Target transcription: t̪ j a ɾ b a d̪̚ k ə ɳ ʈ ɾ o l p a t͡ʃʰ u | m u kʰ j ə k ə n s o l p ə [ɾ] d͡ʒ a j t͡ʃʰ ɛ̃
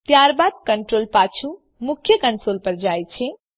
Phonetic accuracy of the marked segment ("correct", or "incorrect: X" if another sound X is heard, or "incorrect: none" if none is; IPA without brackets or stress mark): correct